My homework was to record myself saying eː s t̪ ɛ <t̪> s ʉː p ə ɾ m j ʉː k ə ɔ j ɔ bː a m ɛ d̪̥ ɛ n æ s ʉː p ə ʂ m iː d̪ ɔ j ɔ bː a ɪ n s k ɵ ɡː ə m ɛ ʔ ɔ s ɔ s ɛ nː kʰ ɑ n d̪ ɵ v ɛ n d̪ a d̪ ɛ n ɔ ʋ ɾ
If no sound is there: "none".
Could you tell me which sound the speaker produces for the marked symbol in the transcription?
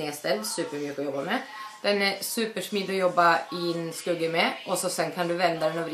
d̪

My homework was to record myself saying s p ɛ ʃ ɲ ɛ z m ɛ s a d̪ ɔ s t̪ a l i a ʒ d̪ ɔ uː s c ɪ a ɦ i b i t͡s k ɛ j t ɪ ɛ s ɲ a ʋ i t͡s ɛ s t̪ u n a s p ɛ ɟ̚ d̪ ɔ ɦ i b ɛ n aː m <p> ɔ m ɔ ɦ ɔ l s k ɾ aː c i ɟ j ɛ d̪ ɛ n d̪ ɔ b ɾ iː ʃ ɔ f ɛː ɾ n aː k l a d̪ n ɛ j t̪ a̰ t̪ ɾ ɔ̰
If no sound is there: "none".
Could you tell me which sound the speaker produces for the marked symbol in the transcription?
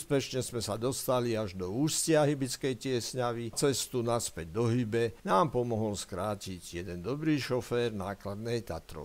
p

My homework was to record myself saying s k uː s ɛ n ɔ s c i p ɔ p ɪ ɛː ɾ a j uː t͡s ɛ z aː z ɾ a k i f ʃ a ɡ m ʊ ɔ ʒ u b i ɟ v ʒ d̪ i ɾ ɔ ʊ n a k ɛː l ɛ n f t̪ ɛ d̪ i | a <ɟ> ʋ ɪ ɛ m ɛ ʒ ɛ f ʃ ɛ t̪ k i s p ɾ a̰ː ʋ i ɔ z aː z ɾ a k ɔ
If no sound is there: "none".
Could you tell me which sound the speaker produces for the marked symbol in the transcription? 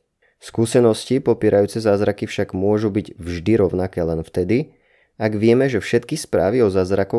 ɡ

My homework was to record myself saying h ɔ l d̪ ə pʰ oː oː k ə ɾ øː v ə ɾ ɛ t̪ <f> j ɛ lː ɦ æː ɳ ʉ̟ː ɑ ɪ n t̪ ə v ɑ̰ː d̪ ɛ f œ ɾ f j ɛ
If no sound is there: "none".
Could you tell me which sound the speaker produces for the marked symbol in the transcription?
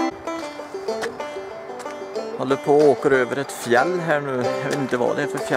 f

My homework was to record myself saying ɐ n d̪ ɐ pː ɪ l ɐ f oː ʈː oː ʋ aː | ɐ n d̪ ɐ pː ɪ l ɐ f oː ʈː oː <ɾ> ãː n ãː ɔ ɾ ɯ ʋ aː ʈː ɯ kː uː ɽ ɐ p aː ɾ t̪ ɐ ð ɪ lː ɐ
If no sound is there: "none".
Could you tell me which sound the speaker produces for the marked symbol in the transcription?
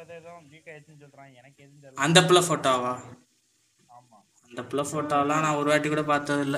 l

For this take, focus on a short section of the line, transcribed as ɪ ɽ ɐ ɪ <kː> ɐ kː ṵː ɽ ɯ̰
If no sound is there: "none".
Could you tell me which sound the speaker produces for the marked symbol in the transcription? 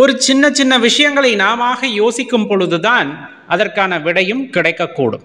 kː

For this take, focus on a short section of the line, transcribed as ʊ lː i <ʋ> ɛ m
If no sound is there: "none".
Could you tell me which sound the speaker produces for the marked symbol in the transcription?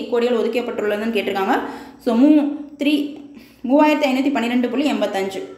none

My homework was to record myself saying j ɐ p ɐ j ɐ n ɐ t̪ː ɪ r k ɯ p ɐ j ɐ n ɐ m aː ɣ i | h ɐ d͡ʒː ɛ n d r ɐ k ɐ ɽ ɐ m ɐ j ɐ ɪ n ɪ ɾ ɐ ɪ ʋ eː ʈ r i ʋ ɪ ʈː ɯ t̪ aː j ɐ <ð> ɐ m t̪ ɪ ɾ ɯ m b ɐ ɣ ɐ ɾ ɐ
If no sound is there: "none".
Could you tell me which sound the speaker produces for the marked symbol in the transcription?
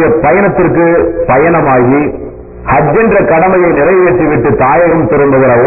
ɣ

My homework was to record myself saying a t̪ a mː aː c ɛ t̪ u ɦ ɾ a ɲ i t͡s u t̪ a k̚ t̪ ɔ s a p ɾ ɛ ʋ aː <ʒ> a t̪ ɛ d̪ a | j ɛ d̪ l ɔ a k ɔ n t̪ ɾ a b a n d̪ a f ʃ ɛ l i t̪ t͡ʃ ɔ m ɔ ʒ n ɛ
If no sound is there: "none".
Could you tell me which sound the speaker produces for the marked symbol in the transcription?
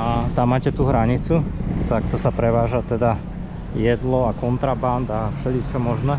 ʒ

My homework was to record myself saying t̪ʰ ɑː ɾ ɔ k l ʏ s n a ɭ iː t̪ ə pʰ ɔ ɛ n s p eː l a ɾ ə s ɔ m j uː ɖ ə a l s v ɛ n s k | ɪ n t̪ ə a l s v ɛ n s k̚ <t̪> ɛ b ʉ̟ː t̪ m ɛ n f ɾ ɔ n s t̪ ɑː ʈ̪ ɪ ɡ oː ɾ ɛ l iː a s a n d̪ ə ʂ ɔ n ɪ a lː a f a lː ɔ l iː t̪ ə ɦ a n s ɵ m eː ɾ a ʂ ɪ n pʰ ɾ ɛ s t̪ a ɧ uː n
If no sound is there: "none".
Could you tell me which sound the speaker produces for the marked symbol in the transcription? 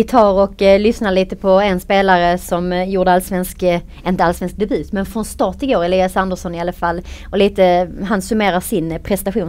d̪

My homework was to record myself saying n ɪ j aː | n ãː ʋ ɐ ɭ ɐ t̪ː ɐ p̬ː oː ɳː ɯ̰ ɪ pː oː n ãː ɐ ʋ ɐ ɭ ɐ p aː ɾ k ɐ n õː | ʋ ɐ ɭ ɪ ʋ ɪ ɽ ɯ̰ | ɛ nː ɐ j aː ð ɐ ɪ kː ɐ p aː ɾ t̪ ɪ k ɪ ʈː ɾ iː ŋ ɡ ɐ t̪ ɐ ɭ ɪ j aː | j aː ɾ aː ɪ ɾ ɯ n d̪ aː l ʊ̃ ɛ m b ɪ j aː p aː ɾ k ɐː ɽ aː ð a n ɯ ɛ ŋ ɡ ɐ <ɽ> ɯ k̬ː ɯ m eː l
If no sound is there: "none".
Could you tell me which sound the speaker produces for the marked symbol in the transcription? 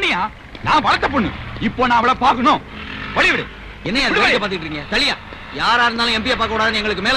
ɭ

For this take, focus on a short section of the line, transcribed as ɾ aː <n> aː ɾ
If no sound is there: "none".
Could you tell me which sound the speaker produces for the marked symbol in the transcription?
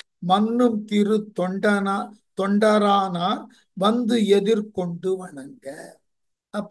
n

